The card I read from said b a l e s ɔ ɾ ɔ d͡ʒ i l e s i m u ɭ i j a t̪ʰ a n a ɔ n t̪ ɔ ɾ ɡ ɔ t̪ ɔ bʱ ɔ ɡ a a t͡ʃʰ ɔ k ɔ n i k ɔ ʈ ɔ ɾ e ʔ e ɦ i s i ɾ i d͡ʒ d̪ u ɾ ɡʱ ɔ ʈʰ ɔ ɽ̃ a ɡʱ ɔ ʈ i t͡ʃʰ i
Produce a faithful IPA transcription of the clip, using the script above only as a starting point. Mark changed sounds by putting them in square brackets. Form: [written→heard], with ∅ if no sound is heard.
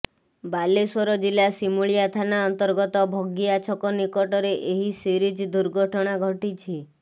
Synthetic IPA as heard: b a l e s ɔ ɾ ɔ d͡ʒ i l [e→a] s i m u ɭ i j a t̪ʰ a n a ɔ n t̪ ɔ ɾ ɡ ɔ t̪ ɔ bʱ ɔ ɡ [a→i] a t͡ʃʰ ɔ k ɔ n i k ɔ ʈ ɔ ɾ e ʔ e ɦ i s i ɾ i d͡ʒ d̪ u ɾ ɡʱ ɔ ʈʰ ɔ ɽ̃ a ɡʱ ɔ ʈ i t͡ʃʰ i